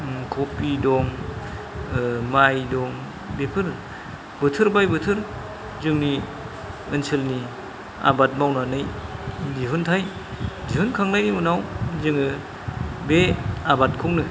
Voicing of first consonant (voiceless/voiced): voiceless